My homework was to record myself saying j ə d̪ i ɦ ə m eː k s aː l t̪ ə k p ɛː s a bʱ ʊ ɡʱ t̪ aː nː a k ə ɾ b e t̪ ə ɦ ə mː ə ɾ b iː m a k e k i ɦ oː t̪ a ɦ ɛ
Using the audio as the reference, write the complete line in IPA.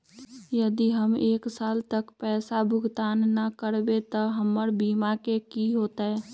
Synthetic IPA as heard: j ə d̪ i ɦ ə m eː k s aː l t̪ ə k p ɛː s a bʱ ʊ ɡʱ t̪ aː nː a k ə ɾ b e t̪ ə ɦ ə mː ə ɾ b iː m a k e k i ɦ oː t̪ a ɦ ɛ